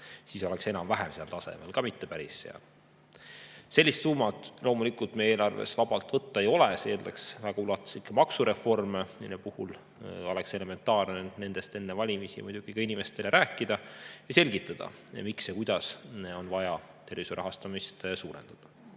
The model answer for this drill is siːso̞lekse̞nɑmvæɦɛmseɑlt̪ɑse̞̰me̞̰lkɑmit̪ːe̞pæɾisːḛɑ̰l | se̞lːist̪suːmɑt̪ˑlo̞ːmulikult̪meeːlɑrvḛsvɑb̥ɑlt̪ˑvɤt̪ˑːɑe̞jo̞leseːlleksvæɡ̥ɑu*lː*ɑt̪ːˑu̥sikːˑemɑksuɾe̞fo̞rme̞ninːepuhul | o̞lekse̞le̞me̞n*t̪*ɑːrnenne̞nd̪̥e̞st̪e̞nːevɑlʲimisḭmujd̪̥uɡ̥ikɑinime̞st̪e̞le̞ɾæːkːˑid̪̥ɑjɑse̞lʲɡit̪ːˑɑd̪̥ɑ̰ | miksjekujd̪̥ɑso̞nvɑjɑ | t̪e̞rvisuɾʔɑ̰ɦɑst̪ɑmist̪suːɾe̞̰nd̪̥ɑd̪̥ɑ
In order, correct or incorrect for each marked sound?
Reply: incorrect: l, correct

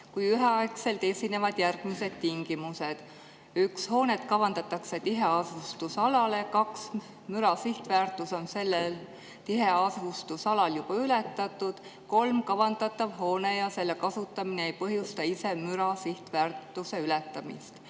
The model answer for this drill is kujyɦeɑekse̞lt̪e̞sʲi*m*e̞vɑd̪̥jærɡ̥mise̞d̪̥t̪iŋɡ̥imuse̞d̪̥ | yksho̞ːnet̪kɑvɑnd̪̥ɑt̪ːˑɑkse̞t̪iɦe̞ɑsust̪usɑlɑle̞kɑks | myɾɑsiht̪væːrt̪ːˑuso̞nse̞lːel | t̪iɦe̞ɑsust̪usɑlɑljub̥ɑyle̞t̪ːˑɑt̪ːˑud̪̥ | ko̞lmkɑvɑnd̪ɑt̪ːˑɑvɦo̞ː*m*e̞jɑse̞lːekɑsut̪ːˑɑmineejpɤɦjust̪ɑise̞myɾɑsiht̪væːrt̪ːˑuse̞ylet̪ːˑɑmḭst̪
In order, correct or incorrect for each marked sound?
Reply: incorrect: n, incorrect: n

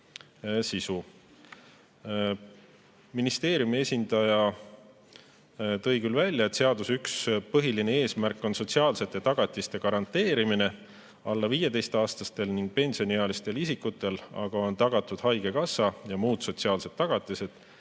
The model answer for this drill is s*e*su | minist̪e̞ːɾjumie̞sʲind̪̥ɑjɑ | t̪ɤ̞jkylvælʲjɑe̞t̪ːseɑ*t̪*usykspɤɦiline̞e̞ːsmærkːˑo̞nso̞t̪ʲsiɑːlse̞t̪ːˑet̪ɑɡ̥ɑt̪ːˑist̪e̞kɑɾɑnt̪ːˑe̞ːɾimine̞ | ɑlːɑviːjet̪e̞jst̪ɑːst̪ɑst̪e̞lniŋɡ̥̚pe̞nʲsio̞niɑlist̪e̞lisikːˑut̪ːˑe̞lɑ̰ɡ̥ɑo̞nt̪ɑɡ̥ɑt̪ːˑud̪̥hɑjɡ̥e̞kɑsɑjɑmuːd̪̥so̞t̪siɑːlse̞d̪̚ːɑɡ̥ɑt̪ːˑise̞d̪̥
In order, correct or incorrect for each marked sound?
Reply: incorrect: i, incorrect: d̪

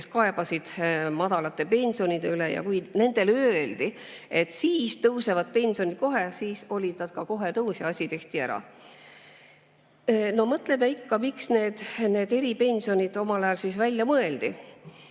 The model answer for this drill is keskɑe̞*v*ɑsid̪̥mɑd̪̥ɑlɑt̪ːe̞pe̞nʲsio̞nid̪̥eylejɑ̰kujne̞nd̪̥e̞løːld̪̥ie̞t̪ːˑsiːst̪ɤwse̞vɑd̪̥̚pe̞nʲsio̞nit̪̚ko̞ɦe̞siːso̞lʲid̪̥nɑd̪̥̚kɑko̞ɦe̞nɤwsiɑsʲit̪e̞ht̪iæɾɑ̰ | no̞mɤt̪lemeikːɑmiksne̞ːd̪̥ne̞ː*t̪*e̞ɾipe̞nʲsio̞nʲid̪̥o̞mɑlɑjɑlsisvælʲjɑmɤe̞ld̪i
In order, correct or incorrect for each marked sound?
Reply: incorrect: b, incorrect: d̪

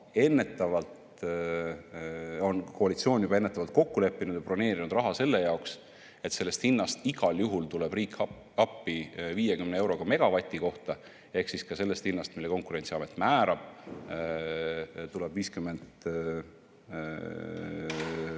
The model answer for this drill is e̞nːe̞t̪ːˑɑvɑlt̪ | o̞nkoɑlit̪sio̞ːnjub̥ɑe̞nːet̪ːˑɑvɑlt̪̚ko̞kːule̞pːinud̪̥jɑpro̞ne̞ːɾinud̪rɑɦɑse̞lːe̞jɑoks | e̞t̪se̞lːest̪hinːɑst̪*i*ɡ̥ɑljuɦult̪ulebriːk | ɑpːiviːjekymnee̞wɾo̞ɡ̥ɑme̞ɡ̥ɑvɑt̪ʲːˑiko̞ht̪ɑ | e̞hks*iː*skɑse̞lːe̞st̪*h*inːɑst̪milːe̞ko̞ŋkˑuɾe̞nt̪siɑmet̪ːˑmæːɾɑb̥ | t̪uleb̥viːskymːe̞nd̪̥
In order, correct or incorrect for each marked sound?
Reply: correct, incorrect: i, correct

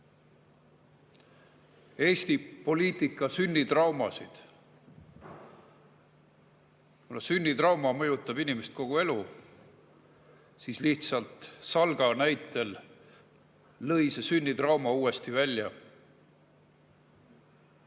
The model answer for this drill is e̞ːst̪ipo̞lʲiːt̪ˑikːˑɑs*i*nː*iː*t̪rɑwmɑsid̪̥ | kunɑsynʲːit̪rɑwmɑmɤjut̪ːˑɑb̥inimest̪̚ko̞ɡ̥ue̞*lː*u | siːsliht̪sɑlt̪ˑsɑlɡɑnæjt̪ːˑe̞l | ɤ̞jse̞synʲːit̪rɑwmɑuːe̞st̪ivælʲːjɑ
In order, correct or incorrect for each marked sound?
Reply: incorrect: y, incorrect: i, incorrect: l

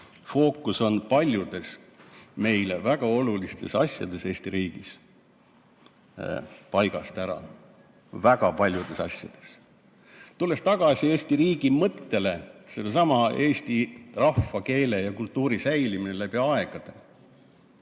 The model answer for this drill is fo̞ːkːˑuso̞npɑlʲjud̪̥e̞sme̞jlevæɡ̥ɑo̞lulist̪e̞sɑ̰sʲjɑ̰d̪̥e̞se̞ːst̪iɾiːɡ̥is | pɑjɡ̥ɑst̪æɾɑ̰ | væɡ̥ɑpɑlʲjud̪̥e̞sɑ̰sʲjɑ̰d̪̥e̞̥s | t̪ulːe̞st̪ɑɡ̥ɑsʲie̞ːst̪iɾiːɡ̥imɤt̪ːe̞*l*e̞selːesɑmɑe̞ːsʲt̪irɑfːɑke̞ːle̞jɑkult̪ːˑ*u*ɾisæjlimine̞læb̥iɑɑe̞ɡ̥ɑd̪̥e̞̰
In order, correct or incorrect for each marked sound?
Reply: correct, incorrect: uː

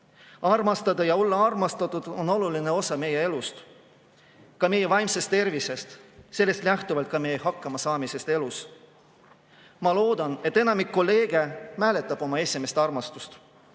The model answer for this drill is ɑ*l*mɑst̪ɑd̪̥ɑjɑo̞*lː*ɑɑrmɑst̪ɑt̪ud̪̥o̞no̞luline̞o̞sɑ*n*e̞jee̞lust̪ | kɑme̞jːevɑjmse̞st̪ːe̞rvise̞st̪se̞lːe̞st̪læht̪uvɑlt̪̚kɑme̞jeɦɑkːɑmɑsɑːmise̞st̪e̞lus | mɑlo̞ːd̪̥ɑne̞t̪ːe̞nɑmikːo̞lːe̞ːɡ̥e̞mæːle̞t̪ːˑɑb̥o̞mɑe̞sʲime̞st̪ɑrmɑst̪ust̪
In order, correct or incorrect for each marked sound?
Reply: incorrect: r, correct, incorrect: m

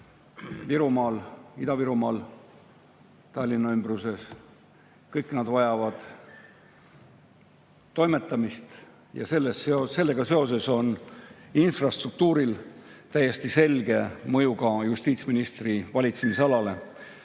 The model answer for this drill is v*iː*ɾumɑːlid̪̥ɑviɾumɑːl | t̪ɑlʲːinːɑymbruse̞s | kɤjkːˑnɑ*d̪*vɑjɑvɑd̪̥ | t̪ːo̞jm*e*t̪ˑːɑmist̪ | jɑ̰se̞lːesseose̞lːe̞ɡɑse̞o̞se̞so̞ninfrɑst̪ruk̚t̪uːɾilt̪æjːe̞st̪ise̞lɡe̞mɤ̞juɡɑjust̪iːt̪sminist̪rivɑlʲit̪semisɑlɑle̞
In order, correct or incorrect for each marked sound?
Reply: incorrect: i, correct, correct

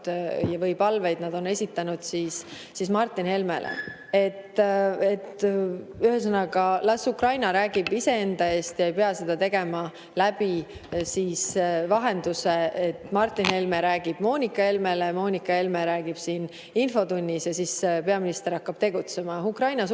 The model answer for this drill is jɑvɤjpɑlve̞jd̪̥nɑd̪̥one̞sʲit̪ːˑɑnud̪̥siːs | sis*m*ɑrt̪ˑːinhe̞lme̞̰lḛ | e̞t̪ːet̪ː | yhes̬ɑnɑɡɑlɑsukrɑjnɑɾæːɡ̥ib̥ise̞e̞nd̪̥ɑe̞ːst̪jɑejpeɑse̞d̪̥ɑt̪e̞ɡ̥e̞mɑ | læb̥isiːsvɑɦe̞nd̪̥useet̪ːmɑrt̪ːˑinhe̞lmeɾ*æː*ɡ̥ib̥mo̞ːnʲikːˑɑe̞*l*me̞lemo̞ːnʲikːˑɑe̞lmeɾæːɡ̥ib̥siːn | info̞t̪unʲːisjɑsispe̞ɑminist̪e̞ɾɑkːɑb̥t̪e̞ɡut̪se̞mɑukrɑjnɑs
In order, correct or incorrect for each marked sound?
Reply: correct, correct, correct

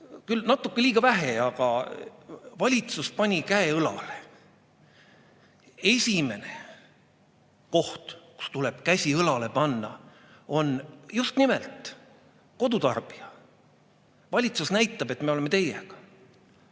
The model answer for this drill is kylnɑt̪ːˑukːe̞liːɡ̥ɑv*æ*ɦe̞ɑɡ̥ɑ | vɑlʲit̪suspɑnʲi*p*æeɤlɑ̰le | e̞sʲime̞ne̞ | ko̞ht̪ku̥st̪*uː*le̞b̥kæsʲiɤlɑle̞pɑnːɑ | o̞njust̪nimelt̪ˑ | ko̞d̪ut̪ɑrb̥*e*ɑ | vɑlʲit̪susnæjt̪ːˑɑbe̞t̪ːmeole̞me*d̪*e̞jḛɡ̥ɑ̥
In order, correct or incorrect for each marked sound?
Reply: correct, incorrect: k, incorrect: u, incorrect: i, incorrect: t̪

